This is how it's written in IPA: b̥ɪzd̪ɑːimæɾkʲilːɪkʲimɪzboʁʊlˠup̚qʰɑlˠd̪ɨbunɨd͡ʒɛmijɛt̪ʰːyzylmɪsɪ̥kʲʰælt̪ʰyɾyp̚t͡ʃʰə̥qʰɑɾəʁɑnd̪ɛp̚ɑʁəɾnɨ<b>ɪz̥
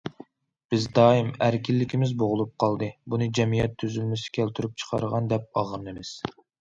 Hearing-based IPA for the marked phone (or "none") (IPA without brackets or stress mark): m